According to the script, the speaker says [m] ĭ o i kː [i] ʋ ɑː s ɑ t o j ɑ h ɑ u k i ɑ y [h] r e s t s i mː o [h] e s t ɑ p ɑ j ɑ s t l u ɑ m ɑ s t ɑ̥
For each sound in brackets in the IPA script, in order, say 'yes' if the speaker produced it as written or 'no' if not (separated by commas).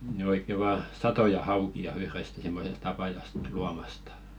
no, no, yes, no